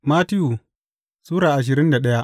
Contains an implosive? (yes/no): yes